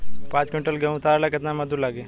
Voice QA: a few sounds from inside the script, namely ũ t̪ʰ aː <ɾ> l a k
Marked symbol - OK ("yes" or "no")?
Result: yes